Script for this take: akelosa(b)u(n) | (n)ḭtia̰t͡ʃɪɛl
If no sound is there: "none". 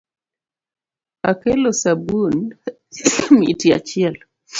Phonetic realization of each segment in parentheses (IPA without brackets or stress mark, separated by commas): b, n, m